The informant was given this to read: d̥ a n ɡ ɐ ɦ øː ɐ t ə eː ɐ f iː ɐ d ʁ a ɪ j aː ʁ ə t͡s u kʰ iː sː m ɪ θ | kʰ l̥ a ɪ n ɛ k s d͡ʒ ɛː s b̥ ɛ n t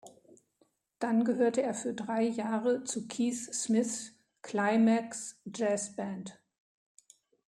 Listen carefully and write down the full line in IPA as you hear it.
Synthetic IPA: d̥ a n ɡ ə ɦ øː ɐ t ə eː ɐ f yː ɐ d ʁ a ɪ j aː ʁ ə t͡s u kʰ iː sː m ɪ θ | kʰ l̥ a ɪ m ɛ k s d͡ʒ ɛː s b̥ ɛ n t

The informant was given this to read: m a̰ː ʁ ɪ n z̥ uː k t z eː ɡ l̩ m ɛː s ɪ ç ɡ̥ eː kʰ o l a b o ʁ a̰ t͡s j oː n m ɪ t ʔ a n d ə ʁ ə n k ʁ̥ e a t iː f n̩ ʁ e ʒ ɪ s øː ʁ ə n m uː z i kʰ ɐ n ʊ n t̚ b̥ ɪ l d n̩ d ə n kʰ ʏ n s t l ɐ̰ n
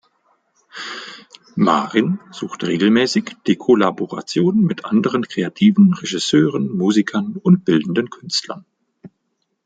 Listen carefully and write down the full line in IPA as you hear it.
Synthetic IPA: m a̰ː ʁ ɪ n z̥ uː x t ʁ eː ɡ l̩ m ɛː s ɪ ç d̥ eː kʰ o l a b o ʁ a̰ t͡s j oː n m ɪ t ʔ a n d ə ʁ ə n k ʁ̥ e a tʰ iː v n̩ ʁ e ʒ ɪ s øː ʁ ə n m uː z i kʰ ɐ n ʊ n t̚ b̥ ɪ l d n̩ d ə n kʰ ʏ n s t l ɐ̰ n

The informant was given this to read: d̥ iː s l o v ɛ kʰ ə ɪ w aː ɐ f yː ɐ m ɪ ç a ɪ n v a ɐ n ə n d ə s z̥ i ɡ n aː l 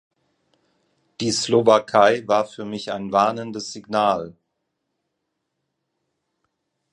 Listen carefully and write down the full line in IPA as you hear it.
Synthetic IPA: d̥ iː s l o v a kʰ a ɪ v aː ɐ f yː ɐ m ɪ ç a ɪ n v a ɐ n ə n d ə s z̥ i ɡ n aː l

